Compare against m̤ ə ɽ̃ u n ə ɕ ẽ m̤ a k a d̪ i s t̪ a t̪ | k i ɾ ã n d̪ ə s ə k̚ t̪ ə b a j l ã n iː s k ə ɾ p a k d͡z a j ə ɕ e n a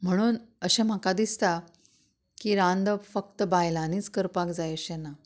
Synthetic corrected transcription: m̤ ə ɽ̃ uː n ə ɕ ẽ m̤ a k a d̪ i s t̪ a | k i ɾ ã n d̪ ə f ə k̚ t̪ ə b a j l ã n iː t͡s k ə ɾ p a k d͡z a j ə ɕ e n a